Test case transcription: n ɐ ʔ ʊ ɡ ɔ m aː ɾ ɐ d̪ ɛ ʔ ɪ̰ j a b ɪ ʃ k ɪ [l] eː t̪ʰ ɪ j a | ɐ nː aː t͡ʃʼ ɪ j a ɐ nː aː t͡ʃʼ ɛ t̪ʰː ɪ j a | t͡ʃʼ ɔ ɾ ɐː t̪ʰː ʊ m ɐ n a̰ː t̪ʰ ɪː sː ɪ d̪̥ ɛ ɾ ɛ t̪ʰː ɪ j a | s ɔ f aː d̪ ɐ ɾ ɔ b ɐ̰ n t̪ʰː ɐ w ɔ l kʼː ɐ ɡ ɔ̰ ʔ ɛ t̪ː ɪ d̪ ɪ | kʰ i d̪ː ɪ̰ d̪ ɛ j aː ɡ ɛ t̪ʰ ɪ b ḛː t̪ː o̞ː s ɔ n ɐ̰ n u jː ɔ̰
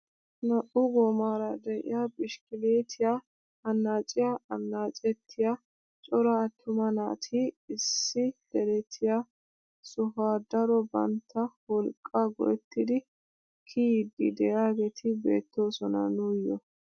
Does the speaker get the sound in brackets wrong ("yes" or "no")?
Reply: no